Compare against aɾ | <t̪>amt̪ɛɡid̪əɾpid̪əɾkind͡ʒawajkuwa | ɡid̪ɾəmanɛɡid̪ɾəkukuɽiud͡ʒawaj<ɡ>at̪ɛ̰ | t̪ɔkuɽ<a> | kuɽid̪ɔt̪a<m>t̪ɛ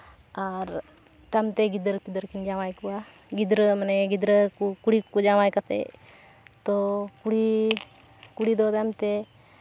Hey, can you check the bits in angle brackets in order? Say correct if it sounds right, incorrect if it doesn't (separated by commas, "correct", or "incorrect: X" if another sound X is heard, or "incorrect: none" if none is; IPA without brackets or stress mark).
correct, incorrect: k, incorrect: i, correct